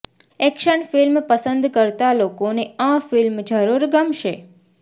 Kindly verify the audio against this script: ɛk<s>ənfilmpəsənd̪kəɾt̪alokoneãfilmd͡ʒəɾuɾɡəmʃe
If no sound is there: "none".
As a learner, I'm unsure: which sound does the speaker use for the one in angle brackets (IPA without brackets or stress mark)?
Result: ʃ